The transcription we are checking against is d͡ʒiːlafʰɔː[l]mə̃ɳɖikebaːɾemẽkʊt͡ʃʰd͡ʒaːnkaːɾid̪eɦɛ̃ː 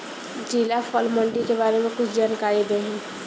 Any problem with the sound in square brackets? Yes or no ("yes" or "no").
no